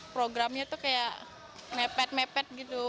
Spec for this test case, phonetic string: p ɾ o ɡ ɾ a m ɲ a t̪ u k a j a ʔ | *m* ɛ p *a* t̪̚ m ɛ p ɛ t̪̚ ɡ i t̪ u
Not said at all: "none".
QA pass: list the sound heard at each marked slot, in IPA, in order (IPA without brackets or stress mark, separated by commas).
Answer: m, ɛ